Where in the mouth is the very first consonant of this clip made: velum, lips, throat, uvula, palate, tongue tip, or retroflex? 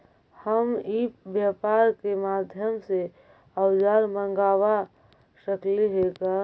throat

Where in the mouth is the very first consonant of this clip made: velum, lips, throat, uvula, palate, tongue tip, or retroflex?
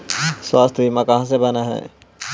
tongue tip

